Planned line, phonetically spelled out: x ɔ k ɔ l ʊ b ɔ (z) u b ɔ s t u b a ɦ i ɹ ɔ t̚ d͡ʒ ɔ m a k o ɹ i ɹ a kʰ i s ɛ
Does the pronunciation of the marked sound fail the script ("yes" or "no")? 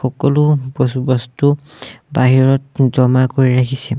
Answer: yes